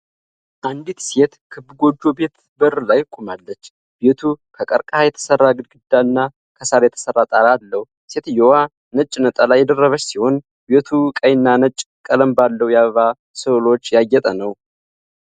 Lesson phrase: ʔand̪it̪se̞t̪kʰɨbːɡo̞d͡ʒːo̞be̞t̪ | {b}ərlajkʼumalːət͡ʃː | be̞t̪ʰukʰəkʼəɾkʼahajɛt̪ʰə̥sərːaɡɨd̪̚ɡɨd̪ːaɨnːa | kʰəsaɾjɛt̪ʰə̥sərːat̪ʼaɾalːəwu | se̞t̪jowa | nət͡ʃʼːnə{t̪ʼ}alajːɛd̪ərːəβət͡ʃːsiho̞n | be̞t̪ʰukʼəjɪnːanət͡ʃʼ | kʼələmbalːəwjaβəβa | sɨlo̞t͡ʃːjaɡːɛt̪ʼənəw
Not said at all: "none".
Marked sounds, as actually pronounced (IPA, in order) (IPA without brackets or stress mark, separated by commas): b, t̪ʼ